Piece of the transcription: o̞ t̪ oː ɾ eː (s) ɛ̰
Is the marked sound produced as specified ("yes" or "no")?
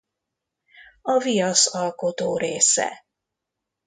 yes